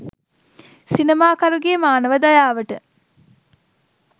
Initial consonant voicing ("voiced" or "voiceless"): voiceless